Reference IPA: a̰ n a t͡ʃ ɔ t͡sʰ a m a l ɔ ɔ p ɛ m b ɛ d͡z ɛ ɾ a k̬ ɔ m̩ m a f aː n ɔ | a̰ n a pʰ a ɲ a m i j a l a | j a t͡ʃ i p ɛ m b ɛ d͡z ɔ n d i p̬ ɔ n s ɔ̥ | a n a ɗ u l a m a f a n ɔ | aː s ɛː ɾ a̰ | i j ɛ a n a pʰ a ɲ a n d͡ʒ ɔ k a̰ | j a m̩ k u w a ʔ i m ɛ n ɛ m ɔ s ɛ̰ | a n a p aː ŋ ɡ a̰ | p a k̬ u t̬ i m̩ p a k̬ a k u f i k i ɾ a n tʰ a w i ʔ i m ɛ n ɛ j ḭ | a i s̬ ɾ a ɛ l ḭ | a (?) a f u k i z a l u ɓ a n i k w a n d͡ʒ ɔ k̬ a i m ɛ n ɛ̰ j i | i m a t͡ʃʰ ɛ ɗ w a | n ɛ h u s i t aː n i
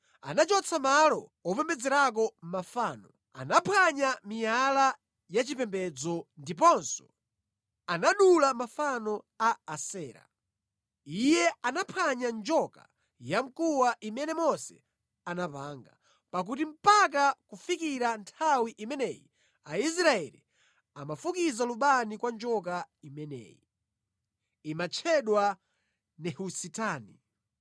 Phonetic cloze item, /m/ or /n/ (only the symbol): m